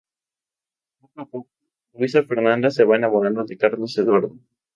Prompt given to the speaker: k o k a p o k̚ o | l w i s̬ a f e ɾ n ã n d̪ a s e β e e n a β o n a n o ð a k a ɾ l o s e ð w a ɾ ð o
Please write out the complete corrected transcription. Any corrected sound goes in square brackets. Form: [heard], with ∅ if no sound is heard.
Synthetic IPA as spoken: [p] o k a p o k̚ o | l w i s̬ a f e ɾ n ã n d̪ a s e β [a] e n a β o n a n o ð [e] k a ɾ l o s e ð w a ɾ ð o